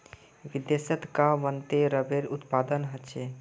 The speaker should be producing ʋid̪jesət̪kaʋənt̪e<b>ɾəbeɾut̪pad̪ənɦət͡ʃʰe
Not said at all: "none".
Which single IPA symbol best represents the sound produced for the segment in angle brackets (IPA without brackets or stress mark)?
none